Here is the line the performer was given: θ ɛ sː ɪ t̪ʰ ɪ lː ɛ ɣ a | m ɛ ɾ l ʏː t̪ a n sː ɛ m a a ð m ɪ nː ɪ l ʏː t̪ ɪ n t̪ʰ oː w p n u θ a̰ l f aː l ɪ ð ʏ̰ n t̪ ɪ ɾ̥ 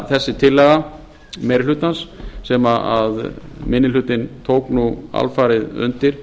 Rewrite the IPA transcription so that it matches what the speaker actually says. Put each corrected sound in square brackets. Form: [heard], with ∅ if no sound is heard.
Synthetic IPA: θ ɛ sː ɪ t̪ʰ ɪ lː ɛ ɣ a | m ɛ ɾ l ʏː t̪ a n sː ɛ m a a ð m ɪ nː ɪ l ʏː t̪ ɪ n t̪ʰ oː w [k] n u [∅] a̰ l f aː [ɾ] ɪ ð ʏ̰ n t̪ ɪ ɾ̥